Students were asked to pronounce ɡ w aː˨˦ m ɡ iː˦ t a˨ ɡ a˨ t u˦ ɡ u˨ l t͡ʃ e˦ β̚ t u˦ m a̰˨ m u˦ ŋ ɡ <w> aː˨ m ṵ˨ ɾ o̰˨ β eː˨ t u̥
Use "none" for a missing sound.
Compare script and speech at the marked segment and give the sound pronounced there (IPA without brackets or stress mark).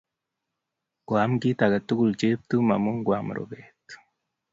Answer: w